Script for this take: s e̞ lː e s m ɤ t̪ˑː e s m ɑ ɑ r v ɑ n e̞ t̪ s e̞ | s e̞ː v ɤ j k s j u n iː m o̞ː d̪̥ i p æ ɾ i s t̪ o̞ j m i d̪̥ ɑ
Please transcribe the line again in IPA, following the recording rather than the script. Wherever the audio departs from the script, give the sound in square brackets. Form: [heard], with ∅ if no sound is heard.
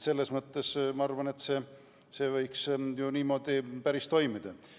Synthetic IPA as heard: s e̞ lː e s m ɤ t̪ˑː e s m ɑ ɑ r v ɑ n e̞ t̪ s e̞ | s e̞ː v ɤ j k s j u n iː m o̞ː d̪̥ i p æ ɾ i s t̪ o̞ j m i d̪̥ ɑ